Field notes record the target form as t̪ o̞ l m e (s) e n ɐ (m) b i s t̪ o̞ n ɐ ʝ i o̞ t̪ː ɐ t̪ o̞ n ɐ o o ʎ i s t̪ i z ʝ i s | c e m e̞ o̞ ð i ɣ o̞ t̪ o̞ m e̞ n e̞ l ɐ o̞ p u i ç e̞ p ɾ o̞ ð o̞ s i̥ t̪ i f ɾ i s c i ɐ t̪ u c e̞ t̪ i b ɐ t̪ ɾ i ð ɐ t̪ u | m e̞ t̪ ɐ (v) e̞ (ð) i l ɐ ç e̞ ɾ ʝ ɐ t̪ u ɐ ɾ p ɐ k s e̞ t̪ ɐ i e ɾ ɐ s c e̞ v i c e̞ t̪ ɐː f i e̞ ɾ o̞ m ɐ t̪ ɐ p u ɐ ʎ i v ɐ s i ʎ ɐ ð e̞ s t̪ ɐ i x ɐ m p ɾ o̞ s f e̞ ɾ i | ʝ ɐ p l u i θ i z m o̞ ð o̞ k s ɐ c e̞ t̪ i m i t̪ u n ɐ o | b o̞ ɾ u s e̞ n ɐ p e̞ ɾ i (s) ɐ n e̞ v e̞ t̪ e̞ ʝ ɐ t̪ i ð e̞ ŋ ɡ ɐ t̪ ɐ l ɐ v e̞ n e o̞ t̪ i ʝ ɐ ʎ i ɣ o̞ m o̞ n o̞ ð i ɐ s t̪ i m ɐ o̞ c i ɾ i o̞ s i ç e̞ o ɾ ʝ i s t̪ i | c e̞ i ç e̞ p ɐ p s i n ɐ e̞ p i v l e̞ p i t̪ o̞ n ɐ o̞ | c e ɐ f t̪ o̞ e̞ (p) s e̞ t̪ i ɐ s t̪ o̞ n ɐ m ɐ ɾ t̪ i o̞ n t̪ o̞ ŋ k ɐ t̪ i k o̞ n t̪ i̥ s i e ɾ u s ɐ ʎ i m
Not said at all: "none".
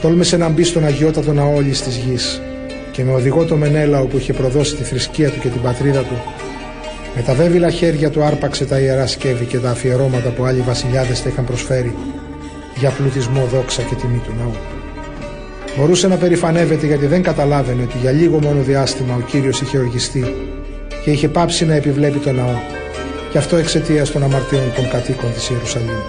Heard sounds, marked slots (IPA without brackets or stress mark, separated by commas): s, m, v, v, f, k